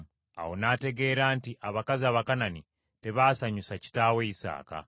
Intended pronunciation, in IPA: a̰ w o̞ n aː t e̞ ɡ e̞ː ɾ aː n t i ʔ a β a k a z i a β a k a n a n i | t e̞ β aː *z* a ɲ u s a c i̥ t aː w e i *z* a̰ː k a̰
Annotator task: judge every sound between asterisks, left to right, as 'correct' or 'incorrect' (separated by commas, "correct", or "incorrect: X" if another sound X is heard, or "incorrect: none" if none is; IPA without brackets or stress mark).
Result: incorrect: s, incorrect: s